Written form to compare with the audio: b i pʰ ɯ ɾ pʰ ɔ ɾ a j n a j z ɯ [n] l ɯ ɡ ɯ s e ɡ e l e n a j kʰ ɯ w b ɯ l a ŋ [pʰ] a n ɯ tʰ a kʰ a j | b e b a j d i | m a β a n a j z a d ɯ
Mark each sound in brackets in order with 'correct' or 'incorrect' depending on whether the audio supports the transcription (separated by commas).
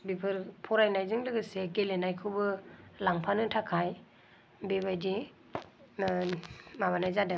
incorrect, correct